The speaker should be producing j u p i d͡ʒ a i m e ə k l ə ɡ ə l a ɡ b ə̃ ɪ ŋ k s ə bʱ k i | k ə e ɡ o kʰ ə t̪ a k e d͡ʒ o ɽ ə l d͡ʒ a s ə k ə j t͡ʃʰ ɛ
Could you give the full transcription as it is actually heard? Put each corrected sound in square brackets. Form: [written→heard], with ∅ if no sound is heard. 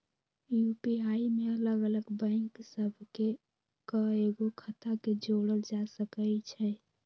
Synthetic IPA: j u p i [d͡ʒ→∅] a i m e ə [k→∅] l ə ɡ ə l [a→ə] ɡ b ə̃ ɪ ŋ k s ə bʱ k [i→e] | k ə e ɡ o kʰ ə t̪ a k e d͡ʒ o ɽ ə l d͡ʒ a s ə k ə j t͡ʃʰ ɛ